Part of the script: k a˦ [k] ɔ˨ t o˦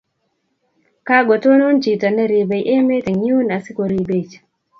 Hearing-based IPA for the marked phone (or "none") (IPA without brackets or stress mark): ɡ